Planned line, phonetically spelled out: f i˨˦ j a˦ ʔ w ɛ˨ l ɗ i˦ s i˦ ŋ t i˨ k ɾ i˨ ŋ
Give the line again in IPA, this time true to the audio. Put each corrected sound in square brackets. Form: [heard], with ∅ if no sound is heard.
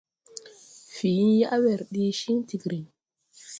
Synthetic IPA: f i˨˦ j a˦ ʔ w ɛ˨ [ɾ] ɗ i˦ [ʃ] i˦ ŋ t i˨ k ɾ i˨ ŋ